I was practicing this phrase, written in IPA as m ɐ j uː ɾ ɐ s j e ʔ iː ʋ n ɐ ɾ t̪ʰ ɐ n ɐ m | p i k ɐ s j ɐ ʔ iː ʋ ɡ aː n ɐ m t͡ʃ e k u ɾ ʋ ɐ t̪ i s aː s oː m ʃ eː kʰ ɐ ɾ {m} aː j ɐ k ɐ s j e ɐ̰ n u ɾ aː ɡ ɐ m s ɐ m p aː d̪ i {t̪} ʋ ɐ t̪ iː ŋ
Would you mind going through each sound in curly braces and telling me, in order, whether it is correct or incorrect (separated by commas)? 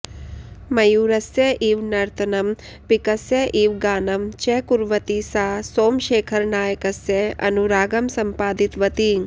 incorrect, correct